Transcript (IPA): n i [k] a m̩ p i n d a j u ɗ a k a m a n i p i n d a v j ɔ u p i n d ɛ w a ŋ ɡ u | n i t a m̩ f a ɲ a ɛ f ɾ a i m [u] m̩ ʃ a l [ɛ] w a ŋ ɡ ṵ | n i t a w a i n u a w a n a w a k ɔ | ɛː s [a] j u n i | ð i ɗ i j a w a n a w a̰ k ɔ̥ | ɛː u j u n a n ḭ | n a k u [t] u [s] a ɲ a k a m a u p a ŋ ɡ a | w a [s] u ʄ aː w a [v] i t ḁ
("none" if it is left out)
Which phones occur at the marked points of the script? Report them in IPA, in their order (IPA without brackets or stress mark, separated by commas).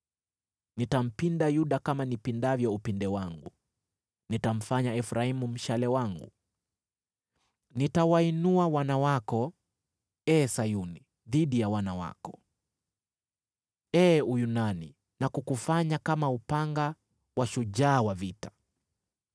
t, u, ɛ, a, k, f, ʃ, v